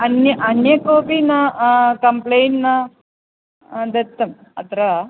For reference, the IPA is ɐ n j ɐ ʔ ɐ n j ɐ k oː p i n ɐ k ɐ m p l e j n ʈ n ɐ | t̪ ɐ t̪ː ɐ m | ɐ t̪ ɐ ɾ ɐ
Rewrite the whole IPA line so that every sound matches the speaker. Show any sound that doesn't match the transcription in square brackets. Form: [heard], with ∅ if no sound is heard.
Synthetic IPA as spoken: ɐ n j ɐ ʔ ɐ n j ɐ k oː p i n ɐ k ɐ m p l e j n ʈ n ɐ | [d̪] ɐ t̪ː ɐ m | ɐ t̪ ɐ ɾ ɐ